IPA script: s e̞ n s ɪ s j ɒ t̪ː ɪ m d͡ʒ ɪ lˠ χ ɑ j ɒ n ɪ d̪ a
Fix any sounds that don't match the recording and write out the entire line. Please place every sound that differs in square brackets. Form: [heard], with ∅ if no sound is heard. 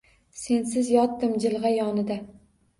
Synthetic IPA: s e̞ n s ɪ [z] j ɒ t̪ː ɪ m d͡ʒ ɪ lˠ [ʁ] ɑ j ɒ n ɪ d̪ a